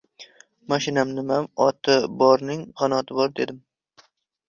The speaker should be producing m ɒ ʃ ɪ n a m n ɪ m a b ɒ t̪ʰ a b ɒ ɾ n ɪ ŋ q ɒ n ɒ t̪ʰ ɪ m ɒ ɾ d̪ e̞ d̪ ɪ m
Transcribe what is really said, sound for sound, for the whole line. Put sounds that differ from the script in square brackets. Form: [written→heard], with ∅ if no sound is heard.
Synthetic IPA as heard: m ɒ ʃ ɪ n a m n ɪ m a [b→m] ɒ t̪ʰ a b ɒ ɾ n ɪ ŋ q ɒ n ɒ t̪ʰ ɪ [m→b] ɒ ɾ d̪ e̞ d̪ ɪ m